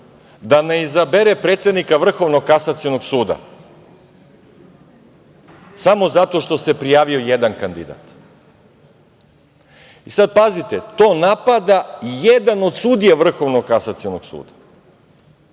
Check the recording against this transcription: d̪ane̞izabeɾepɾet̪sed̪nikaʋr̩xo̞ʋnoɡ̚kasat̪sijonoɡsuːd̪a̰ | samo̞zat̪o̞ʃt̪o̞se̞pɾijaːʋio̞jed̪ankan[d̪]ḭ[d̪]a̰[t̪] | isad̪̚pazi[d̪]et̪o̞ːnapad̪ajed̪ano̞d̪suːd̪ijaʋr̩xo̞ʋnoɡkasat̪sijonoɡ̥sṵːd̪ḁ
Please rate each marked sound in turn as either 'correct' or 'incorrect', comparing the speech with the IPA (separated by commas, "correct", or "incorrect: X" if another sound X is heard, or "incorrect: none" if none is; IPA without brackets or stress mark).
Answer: correct, correct, correct, incorrect: t̪